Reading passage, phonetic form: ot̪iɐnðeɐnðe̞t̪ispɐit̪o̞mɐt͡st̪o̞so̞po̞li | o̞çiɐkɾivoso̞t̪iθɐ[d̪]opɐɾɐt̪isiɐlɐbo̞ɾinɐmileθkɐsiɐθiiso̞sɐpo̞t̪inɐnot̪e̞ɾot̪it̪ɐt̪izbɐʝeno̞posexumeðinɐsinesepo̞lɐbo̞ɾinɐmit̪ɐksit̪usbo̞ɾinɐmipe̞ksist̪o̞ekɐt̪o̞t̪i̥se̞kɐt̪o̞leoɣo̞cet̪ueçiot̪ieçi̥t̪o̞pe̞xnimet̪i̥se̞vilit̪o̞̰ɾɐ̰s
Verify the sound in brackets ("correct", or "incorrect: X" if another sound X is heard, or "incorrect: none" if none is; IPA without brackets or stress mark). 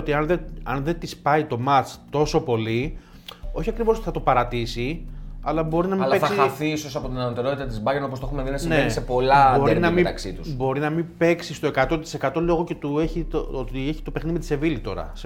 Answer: incorrect: t̪